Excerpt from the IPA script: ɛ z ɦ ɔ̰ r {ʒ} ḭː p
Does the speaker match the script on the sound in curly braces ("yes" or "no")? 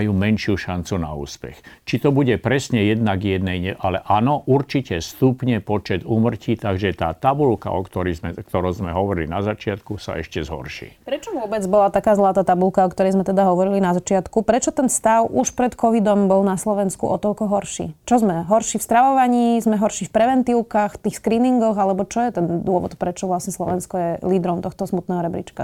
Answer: no